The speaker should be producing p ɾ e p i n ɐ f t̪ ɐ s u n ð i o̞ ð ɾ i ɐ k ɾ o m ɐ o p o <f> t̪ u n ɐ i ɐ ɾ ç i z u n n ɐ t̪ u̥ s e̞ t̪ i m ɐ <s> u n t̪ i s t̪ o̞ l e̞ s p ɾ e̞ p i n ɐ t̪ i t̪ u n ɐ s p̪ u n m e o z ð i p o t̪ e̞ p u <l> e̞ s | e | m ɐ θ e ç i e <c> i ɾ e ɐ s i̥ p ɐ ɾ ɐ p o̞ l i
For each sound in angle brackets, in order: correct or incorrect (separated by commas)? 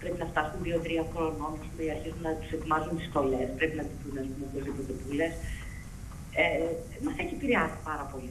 incorrect, incorrect, correct, incorrect